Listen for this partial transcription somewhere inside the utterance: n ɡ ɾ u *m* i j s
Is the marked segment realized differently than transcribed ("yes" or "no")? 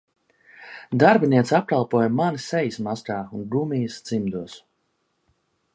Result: no